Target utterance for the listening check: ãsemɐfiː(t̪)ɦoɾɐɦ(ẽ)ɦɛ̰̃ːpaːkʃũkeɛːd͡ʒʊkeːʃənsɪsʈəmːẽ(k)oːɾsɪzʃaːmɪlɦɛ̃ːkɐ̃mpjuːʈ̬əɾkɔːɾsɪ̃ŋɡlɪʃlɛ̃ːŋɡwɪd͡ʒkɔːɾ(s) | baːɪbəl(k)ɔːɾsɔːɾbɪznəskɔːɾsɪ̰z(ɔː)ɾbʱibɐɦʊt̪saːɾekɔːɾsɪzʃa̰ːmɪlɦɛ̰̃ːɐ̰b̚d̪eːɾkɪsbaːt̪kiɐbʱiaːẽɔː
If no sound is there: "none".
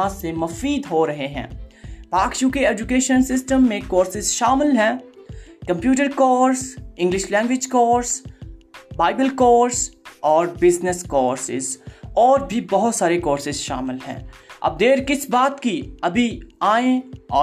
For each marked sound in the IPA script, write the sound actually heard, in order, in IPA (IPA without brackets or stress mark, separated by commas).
d̪, e, k, s, k, ɔː